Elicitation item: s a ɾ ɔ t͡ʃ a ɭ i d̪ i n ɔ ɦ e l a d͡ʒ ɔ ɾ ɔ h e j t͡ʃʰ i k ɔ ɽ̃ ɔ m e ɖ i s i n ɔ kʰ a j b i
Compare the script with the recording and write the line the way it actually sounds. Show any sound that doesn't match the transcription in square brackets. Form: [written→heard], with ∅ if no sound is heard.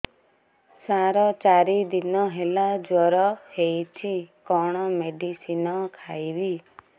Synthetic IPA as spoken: s a ɾ ɔ t͡ʃ a [ɭ→ɾ] i d̪ i n ɔ ɦ e l a d͡ʒ ɔ ɾ ɔ h e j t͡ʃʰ i k ɔ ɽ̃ ɔ m e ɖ i s i n ɔ kʰ a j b i